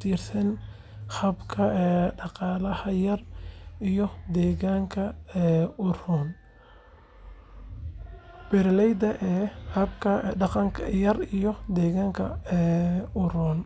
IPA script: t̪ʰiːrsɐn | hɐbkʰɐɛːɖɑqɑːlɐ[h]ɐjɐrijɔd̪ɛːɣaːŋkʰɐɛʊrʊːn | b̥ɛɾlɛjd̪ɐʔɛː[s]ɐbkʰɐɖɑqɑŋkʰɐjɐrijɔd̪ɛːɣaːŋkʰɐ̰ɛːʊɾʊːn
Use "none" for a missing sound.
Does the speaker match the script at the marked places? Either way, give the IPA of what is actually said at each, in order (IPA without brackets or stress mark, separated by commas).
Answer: h, h